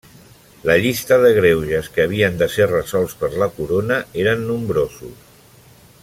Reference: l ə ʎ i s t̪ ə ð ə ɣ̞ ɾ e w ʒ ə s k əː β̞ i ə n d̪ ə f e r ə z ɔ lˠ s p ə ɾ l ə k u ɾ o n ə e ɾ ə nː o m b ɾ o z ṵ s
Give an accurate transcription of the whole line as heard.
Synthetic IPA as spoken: l ə ʎ i s t̪ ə ð ə ɣ̞ ɾ e w ʒ ə s k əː β̞ i ə n d̪ ə s e r ə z ɔ lˠ s p ə ɾ l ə k u ɾ o n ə e ɾ ə nː u m b ɾ o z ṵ s